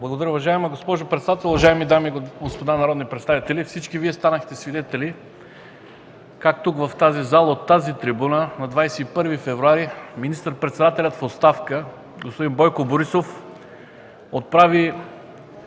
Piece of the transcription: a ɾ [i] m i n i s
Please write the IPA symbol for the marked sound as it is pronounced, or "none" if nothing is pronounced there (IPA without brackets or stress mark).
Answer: i